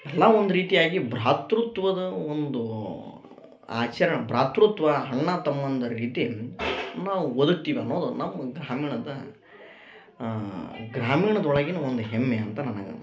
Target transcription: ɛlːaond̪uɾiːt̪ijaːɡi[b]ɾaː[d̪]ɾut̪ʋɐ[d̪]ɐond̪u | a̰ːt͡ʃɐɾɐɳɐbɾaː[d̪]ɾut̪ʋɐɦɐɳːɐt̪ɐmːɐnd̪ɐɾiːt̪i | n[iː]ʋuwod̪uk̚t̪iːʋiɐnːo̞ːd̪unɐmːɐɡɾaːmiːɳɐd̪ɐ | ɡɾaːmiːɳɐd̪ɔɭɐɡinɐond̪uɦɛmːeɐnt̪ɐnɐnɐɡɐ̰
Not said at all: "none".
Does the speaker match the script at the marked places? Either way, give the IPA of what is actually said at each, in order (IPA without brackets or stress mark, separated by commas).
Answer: b, t̪, d̪, t̪, aː